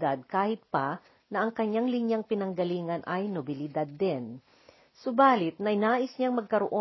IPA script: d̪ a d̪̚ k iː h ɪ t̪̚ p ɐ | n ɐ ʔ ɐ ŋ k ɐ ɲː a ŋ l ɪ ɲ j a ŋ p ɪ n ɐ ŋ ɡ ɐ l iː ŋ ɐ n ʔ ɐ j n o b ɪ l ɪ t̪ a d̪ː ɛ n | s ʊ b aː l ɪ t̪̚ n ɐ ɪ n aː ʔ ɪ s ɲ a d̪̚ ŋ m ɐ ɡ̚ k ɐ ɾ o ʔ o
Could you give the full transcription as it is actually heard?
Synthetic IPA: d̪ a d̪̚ k aː h ɪ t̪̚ p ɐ | n ɐ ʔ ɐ ŋ k ɐ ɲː a ŋ l ɪ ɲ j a ŋ p ɪ n ɐ ŋ ɡ ɐ l iː ŋ ɐ n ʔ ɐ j n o b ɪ l ɪ d̪ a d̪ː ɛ n | s ʊ b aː l ɪ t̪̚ n ɐ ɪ n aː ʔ ɪ s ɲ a ŋ m ɐ ɡ̚ k ɐ ɾ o ʔ o